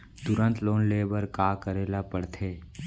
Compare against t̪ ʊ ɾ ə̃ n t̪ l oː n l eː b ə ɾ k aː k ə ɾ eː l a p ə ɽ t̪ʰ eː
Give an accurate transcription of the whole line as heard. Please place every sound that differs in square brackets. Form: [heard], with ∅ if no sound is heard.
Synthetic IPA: t̪ ʊ ɾ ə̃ n t̪ l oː n l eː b ə ɾ k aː k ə ɾ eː l a p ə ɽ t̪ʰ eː